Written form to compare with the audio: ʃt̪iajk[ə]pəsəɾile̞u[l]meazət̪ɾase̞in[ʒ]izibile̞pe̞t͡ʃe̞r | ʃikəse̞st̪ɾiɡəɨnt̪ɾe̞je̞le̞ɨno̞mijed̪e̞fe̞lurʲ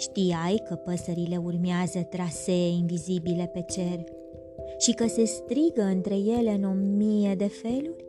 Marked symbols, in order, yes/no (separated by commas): yes, no, no